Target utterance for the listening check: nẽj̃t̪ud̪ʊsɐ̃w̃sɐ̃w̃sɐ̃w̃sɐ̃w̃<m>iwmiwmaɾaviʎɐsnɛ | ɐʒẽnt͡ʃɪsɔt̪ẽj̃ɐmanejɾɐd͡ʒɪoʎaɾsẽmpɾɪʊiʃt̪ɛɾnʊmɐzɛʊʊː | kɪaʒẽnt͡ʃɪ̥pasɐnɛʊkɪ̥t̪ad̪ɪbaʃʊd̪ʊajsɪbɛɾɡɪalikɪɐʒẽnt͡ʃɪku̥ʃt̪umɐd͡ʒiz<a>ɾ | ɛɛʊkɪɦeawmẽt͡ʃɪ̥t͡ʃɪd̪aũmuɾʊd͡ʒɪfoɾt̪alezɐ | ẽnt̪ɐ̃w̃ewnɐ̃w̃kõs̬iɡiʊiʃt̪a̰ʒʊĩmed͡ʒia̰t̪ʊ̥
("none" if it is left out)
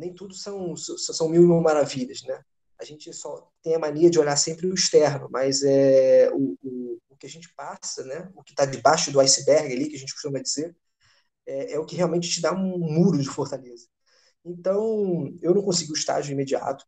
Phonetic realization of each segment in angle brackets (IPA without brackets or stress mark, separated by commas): m, e